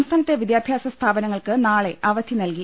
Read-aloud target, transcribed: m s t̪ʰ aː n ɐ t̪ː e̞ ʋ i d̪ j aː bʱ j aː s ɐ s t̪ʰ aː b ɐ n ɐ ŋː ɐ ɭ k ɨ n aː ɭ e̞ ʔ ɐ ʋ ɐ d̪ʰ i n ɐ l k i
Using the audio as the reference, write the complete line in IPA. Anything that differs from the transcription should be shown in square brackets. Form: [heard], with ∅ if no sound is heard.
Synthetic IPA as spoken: m s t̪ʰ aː n ɐ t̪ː e̞ ʋ i d̪ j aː bʱ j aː s ɐ s t̪ʰ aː b ɐ n ɐ ŋː ɐ ɭ k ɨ n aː ɭ e̞ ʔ ɐ ʋ ɐ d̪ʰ i n ɐ l k i